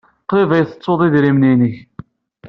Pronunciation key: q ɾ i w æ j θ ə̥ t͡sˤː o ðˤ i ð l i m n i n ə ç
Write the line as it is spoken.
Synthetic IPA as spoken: q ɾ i v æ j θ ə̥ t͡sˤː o ðˤ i ð ɾ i m n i n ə ç